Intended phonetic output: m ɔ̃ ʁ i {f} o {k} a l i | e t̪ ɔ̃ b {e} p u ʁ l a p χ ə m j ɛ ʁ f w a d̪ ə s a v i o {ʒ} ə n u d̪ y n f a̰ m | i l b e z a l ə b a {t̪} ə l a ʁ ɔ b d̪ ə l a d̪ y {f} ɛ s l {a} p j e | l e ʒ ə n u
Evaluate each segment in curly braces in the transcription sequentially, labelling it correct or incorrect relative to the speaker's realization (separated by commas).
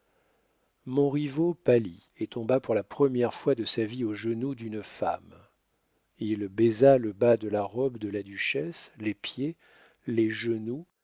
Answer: incorrect, incorrect, incorrect, correct, incorrect, incorrect, incorrect